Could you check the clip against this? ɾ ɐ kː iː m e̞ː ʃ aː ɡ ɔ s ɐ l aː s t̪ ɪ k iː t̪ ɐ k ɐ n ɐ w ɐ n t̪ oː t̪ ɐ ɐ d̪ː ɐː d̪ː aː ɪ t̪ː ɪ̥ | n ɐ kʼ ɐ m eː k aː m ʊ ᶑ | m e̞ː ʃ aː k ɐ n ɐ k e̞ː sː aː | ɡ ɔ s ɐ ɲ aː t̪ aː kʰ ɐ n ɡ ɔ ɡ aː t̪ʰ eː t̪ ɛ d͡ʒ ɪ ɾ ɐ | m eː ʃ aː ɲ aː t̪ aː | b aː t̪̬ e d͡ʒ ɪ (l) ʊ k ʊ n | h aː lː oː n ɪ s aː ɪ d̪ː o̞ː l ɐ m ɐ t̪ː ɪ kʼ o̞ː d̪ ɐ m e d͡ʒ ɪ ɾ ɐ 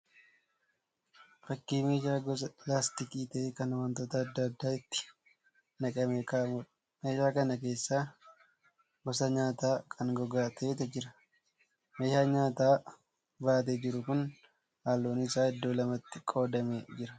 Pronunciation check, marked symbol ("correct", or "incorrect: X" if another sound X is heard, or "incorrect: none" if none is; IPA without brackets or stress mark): incorrect: ɾ